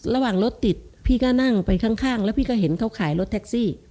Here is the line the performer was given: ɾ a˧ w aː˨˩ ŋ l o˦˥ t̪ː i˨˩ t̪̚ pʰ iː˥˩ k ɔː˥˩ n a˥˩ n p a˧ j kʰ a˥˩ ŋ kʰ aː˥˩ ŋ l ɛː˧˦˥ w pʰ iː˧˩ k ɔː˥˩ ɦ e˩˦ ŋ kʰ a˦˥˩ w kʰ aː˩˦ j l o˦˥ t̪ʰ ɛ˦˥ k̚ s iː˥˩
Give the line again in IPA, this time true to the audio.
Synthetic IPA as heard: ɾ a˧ w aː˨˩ ŋ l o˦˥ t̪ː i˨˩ t̪̚ pʰ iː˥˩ k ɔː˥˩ n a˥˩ ŋ p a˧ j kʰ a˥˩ ŋ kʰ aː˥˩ ŋ l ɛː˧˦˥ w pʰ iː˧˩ k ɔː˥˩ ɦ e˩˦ n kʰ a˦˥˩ w kʰ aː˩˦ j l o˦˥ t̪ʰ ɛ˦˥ k̚ s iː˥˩